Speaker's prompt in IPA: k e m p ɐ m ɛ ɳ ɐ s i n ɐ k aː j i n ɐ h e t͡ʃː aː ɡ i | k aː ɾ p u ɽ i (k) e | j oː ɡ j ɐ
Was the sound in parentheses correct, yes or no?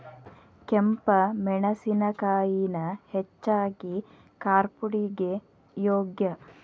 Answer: no